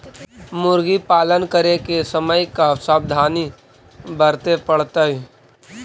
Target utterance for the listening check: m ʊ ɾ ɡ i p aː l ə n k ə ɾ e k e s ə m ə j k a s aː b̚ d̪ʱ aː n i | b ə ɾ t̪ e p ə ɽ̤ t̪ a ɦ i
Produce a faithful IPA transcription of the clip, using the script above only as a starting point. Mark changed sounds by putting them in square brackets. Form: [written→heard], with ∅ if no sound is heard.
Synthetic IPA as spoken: m ʊ ɾ ɡ i p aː l ə n k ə ɾ e k e s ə m ə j k a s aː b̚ d̪ʱ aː n i | b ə ɾ t̪ e p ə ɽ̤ t̪ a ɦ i